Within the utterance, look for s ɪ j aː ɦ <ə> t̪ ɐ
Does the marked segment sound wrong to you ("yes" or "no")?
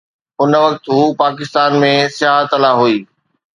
no